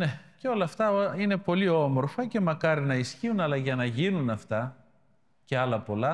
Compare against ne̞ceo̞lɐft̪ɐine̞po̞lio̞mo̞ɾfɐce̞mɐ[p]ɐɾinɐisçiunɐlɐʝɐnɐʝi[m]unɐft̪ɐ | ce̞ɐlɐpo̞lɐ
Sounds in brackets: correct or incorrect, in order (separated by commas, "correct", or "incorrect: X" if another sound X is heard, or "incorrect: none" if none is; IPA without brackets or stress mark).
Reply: incorrect: k, incorrect: n